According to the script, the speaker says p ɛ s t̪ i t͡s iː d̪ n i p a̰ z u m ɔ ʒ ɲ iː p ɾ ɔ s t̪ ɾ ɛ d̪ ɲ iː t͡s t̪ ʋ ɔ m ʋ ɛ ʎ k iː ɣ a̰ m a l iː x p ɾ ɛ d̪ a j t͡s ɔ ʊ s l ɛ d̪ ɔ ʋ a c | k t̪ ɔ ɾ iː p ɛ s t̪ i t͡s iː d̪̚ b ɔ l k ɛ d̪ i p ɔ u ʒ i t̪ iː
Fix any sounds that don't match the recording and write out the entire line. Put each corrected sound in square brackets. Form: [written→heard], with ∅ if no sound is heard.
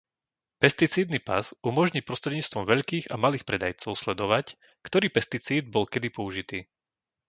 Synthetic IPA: p ɛ s t̪ i t͡s iː d̪ n i p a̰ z u m ɔ ʒ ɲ iː p ɾ ɔ s t̪ ɾ ɛ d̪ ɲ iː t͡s t̪ ʋ ɔ m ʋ ɛ ʎ k iː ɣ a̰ m a l iː x p ɾ ɛ d̪ a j t͡s ɔ ʊ s l ɛ d̪ ɔ ʋ a c | k t̪ ɔ ɾ iː p ɛ s t̪ i t͡s iː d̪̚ b ɔ l k ɛ d̪ i p ɔ u ʒ i t̪ iː